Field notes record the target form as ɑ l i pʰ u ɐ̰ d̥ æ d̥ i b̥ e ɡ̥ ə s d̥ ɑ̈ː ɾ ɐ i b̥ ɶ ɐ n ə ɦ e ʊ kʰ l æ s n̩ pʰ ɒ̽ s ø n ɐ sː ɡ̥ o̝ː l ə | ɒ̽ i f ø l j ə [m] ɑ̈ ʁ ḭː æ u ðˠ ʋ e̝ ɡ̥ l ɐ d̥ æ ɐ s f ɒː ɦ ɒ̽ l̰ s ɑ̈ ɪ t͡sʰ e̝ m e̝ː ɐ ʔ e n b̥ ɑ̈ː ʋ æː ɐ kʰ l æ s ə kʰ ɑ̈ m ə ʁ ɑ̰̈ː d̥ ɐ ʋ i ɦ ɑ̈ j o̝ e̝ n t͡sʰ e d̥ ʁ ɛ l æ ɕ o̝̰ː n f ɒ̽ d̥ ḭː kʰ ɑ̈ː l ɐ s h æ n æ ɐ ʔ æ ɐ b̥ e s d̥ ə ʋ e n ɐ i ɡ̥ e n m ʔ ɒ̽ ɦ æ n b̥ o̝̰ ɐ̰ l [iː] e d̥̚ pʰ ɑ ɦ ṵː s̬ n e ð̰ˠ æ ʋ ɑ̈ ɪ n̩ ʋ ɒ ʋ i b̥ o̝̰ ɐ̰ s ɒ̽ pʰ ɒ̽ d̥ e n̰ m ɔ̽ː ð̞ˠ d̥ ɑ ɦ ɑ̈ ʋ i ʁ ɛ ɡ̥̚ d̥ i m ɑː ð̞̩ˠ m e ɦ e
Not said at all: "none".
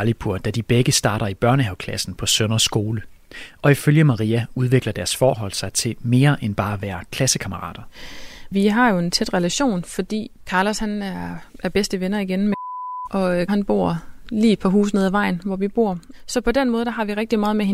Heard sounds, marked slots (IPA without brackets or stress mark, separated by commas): m, iː